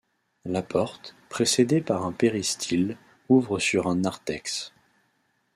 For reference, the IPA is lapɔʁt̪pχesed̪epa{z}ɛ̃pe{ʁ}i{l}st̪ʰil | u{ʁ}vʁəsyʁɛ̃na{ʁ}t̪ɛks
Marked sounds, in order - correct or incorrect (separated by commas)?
incorrect, correct, incorrect, incorrect, correct